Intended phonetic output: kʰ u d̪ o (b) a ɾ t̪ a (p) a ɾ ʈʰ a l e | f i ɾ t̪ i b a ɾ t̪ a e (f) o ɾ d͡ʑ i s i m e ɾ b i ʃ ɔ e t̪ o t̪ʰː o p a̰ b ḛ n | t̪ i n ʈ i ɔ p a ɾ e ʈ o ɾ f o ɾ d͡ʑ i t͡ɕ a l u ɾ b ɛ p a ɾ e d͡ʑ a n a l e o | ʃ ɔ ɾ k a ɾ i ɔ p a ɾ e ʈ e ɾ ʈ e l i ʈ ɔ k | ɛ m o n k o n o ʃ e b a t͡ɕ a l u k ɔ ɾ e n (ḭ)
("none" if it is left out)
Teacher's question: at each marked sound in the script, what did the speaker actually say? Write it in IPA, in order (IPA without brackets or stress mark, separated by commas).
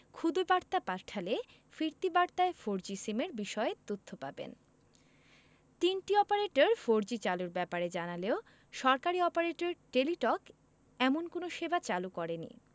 b, p, f, ḭ